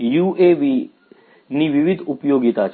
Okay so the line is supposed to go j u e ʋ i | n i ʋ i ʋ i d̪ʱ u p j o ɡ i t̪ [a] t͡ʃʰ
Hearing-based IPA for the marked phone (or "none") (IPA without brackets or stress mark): a